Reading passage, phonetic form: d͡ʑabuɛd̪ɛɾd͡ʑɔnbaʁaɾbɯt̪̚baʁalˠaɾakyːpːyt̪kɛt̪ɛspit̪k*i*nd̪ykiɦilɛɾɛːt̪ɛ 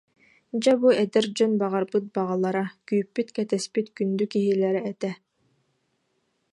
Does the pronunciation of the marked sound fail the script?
yes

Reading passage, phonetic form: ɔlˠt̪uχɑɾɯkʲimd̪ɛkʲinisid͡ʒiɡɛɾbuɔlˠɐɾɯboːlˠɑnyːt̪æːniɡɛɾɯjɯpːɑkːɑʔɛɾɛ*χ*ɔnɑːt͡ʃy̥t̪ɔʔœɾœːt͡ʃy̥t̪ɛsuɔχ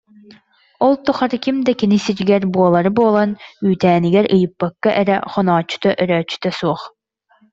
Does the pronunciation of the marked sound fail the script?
no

